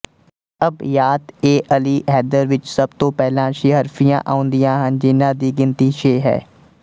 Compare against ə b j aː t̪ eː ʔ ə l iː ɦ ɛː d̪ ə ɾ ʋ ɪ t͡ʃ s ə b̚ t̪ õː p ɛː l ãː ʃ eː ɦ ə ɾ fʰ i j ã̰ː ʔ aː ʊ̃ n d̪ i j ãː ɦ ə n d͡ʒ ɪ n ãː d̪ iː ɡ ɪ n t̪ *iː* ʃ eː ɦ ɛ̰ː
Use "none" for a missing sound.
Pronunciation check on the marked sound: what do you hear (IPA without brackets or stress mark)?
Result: iː